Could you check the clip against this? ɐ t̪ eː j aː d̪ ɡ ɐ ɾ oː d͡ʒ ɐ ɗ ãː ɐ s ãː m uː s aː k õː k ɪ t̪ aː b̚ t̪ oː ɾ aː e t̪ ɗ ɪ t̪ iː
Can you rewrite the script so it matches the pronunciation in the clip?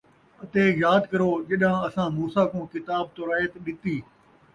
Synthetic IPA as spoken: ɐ t̪ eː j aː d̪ k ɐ ɾ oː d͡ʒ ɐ ɗ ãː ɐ s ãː m uː s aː k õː k ɪ t̪ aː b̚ t̪ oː ɾ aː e t̪ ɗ ɪ t̪ iː